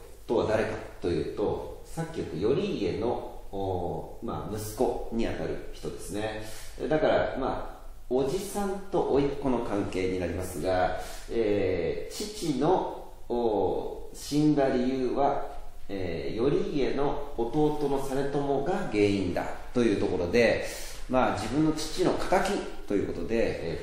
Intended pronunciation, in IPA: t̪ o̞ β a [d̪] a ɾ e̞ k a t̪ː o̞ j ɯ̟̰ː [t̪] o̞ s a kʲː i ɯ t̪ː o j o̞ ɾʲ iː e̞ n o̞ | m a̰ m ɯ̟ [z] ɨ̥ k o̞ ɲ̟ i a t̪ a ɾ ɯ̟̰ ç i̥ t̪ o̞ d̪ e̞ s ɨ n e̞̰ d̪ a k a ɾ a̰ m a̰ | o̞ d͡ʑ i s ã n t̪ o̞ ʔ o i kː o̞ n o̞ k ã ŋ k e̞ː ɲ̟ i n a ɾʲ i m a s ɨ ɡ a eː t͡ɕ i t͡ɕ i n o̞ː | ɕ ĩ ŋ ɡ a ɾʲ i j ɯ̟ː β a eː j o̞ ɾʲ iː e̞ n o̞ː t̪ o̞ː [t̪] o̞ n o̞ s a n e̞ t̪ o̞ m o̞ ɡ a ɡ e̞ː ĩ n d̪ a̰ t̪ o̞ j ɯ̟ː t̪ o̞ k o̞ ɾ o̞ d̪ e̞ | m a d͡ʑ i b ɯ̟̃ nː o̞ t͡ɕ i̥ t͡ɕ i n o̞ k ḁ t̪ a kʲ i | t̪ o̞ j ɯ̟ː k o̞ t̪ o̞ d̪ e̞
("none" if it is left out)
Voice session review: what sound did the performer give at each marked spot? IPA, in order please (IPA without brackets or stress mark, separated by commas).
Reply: d̪, t̪, s, t̪